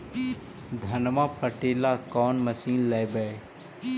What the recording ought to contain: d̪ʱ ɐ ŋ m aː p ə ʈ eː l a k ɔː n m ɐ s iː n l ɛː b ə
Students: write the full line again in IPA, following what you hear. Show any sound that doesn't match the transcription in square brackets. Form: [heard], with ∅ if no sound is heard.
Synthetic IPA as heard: d̪ʱ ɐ [n] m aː p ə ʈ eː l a k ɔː n m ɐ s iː n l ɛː b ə